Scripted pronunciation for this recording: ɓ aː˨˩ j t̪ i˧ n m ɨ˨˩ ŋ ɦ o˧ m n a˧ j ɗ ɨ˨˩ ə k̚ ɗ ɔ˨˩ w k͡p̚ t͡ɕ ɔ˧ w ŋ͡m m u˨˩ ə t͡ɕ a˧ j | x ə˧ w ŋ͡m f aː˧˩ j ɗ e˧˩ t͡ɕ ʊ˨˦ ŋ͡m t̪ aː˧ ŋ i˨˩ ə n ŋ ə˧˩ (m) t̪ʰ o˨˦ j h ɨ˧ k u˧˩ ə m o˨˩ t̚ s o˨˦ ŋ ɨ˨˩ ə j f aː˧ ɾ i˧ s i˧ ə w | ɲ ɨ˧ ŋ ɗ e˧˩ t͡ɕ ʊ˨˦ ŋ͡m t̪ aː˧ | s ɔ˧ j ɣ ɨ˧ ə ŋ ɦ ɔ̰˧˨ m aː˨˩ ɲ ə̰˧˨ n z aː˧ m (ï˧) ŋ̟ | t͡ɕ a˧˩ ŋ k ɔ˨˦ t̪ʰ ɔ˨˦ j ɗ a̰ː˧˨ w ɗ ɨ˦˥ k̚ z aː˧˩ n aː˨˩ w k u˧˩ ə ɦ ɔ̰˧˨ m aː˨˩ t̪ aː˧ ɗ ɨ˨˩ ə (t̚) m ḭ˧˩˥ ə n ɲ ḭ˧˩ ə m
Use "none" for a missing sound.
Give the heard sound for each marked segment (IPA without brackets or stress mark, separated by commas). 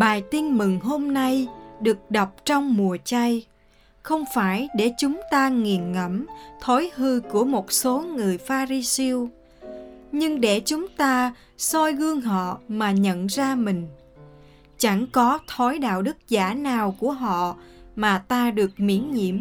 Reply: m, ï˨˩, k̚